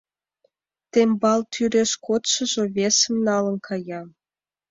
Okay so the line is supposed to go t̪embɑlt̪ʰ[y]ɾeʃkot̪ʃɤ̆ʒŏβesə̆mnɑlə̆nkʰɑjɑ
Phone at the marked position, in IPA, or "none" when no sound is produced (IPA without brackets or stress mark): y